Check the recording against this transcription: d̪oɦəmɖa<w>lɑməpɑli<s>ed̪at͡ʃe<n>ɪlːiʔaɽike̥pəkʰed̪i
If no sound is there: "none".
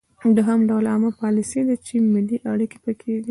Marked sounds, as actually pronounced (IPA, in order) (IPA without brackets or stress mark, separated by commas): w, s, m